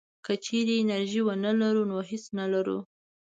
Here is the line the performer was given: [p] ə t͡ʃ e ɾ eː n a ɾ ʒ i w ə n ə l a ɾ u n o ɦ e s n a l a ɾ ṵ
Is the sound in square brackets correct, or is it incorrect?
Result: incorrect